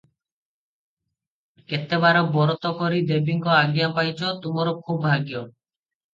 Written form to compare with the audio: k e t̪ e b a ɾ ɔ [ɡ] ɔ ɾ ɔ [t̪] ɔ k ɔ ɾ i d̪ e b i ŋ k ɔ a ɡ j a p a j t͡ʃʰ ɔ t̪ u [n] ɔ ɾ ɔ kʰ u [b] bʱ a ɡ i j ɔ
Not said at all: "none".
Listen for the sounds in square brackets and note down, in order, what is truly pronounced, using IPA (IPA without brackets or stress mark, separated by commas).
b, t̪, m, b